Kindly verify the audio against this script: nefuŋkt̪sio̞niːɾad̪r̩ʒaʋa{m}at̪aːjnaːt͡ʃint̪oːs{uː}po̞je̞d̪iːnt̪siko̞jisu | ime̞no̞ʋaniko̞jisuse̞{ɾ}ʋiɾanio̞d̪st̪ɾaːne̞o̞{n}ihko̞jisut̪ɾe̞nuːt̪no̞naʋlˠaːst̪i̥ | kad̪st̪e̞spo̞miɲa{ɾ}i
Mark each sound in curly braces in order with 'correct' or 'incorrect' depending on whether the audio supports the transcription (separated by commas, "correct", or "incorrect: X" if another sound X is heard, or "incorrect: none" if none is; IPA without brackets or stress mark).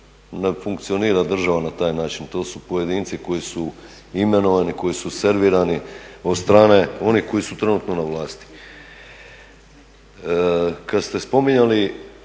incorrect: n, incorrect: u, correct, correct, incorrect: l